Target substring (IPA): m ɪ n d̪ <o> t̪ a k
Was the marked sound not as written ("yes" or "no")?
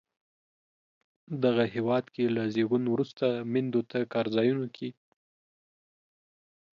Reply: no